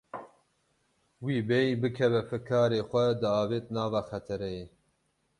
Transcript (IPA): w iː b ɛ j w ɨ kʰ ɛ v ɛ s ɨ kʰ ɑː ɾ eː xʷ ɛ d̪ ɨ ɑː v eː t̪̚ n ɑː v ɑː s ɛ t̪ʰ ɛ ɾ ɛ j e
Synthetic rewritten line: w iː b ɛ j b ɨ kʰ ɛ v ɛ f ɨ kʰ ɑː ɾ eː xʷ ɛ d̪ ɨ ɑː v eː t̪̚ n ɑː v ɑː x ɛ t̪ʰ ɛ ɾ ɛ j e